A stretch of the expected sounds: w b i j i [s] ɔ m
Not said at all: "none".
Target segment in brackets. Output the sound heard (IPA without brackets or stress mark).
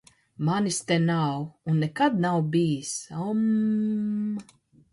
s